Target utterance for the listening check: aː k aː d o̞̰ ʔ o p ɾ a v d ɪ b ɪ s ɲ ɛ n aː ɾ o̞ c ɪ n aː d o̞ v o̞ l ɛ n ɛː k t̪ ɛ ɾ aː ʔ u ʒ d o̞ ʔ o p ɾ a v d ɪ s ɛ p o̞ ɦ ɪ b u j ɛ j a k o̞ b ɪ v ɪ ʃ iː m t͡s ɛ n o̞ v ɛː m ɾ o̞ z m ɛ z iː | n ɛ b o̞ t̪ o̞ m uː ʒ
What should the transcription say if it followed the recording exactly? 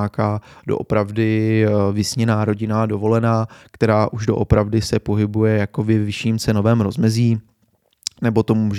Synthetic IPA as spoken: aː k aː d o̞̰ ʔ o p ɾ a v d ɪ v ɪ s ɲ ɛ n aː ɾ o̞ ɟ ɪ n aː d o̞ v o̞ l ɛ n aː k t̪ ɛ ɾ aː ʔ u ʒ d o̞ ʔ o p ɾ a v d ɪ s ɛ p o̞ ɦ ɪ b u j ɛ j a k o̞ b ɪ v ɪ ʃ iː m t͡s ɛ n o̞ v ɛː m ɾ o̞ z m ɛ z iː | n ɛ b o̞ t̪ o̞ m uː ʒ